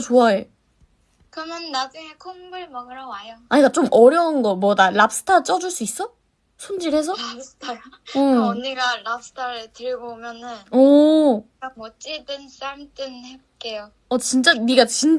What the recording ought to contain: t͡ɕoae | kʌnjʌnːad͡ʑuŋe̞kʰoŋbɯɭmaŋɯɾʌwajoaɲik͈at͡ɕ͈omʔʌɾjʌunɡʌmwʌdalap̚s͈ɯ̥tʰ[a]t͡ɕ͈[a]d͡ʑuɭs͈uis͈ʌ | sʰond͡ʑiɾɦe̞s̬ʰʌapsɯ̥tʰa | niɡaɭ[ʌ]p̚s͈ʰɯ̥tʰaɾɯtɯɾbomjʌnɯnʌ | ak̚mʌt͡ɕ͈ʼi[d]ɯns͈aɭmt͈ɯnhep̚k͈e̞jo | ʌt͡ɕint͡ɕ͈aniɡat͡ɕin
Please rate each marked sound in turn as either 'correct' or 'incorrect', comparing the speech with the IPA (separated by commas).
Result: correct, incorrect, incorrect, correct